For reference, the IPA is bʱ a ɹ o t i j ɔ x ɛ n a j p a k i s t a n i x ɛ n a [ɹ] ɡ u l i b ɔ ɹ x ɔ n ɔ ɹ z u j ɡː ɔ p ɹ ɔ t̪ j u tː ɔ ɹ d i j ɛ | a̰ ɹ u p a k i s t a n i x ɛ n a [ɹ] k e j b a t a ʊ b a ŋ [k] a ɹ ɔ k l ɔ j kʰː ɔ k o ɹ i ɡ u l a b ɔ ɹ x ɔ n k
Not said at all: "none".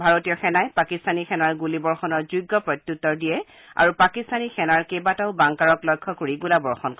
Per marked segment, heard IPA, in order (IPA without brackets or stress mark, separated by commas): ɹ, ɹ, k